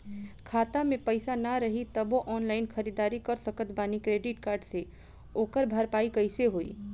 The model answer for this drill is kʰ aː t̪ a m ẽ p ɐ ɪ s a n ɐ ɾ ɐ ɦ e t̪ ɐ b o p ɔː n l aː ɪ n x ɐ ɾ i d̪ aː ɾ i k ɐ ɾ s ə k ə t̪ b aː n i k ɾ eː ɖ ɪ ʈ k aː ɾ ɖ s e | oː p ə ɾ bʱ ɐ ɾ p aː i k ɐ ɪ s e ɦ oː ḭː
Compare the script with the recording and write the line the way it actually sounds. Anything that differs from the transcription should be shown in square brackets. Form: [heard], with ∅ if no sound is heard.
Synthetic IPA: kʰ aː t̪ a m ẽ p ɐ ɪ s a n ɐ ɾ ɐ ɦ [i] t̪ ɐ b o [ʔ] ɔː n l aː ɪ n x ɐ ɾ i d̪ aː ɾ i k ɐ ɾ s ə k ə t̪ b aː n i k ɾ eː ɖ ɪ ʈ k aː ɾ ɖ s e | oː [k] ə ɾ bʱ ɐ ɾ p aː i k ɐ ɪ s e ɦ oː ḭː

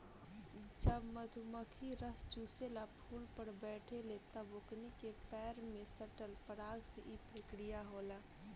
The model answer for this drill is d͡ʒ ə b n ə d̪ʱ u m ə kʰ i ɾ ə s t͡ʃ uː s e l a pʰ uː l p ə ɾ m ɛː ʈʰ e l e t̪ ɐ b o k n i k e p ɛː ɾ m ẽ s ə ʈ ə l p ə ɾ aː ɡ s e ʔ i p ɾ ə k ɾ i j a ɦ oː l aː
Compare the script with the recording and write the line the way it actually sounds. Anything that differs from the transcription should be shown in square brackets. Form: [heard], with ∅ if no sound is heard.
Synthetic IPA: d͡ʒ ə b [m] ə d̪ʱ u m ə kʰ i ɾ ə s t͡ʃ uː s e l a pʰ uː l p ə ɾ [b] ɛː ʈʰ e l e t̪ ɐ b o k n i k e p ɛː ɾ m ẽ s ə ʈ ə l p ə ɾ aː ɡ s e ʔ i p ɾ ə k ɾ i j a ɦ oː l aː

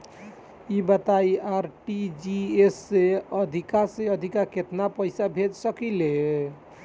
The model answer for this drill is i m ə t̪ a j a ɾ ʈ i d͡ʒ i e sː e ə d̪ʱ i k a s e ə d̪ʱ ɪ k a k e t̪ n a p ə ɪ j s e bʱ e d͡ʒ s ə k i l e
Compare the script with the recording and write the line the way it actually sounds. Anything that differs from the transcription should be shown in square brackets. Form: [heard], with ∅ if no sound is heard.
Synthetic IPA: i [b] ə t̪ a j a ɾ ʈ i d͡ʒ i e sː e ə d̪ʱ i k a s e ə d̪ʱ [i] k a k e t̪ n a p ə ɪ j s [a] bʱ e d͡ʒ s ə k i l e

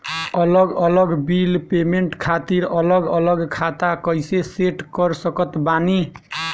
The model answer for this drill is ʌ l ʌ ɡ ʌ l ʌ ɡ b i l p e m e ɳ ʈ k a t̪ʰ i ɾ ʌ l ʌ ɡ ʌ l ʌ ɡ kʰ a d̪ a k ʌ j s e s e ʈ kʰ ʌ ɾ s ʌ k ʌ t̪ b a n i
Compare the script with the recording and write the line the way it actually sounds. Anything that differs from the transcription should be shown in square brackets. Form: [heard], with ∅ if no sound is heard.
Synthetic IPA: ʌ l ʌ ɡ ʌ l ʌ ɡ b i l p e m e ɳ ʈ [kʰ] a [t̪] i ɾ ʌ l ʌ ɡ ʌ l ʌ ɡ kʰ a [t̪] a k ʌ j s e s e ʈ [k] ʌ ɾ s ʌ k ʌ t̪ b a n i

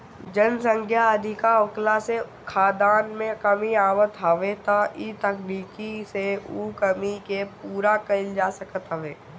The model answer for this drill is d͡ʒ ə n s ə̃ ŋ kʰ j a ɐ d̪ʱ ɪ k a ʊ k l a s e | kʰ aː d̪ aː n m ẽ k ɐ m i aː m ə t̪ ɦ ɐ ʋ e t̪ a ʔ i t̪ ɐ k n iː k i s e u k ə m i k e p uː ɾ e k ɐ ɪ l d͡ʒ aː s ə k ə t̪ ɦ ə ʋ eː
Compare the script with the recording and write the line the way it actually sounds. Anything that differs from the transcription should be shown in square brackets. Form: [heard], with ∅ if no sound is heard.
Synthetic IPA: d͡ʒ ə n s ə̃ ŋ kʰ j a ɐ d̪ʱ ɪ k a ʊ k l a s e | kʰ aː d̪ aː n m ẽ k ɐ m i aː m ə t̪ ɦ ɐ ʋ e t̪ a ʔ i t̪ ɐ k n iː k i s e u k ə m i k e p uː ɾ [a] k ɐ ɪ l d͡ʒ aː s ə k ə t̪ ɦ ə ʋ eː

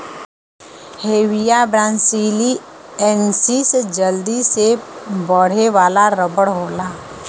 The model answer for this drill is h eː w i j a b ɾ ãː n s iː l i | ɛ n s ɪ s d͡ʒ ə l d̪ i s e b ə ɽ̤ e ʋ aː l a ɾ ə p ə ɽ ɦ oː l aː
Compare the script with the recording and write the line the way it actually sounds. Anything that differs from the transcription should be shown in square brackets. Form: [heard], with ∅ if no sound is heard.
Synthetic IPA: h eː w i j a b ɾ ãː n s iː l i | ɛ n s [i] s d͡ʒ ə l d̪ i s e b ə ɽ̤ e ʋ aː l a ɾ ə [b] ə ɽ ɦ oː l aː

